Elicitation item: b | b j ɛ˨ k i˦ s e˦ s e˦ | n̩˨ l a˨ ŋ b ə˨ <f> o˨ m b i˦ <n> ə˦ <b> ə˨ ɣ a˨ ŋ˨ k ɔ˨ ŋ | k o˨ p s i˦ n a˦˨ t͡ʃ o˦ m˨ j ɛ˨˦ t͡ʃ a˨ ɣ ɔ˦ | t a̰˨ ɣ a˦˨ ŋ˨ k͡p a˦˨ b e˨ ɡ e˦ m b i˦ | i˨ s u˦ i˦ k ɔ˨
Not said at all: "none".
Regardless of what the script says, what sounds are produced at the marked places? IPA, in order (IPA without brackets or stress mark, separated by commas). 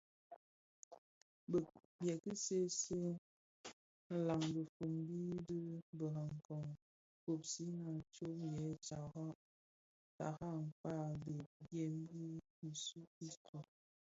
f, d, b